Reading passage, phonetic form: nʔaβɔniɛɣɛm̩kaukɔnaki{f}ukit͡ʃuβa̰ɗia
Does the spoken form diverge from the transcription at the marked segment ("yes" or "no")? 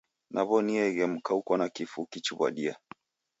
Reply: no